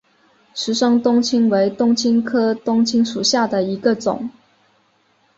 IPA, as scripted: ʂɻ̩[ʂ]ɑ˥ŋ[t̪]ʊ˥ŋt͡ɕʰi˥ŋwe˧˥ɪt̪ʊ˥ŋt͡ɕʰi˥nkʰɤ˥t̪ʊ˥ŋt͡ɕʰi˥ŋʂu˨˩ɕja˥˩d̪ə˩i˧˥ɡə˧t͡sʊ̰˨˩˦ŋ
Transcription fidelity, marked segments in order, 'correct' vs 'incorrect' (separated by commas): correct, correct